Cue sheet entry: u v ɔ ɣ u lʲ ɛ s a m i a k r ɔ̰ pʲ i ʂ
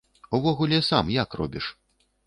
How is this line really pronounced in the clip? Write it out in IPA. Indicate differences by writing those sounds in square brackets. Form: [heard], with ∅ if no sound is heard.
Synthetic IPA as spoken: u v ɔ ɣ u lʲ ɛ s a m [j] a k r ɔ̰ [bʲ] i ʂ